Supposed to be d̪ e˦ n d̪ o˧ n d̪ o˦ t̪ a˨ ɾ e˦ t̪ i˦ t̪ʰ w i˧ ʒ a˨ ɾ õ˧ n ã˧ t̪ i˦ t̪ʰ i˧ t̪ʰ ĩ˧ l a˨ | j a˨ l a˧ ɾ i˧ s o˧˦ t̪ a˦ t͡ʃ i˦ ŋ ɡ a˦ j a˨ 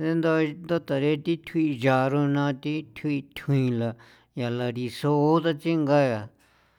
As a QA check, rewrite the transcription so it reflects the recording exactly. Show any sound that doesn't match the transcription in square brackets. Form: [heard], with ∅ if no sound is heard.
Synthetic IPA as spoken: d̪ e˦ n d̪ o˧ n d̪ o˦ t̪ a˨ ɾ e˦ t̪ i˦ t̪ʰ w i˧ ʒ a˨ ɾ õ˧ n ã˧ t̪ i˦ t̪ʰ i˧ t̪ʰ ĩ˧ l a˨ | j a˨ l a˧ ɾ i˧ s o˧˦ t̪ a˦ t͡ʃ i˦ ŋ ɡ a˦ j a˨